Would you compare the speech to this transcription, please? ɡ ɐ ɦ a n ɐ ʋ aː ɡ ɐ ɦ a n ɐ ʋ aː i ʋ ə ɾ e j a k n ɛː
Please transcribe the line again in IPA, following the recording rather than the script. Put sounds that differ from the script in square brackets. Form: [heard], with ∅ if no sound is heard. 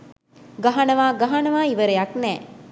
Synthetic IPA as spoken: ɡ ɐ ɦ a n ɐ ʋ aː ɡ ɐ ɦ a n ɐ ʋ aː i ʋ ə ɾ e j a k n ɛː